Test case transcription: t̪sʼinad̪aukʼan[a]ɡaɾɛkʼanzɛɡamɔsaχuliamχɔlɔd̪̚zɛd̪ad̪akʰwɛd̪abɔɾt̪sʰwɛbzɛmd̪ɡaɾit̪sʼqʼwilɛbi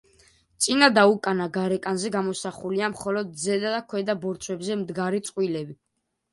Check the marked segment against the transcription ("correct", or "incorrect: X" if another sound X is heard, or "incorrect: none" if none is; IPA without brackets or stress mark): correct